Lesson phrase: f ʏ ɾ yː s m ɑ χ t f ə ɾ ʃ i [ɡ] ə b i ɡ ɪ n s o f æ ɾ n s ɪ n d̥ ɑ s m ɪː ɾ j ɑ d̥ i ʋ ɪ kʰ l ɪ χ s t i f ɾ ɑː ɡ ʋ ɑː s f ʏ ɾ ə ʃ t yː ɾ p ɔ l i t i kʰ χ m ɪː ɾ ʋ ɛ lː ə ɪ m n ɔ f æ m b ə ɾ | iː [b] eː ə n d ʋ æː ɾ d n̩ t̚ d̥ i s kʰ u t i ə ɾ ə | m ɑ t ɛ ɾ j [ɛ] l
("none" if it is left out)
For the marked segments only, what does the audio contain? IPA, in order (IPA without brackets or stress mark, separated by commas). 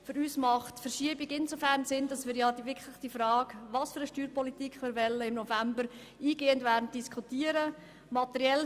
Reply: none, ɡ, ɛ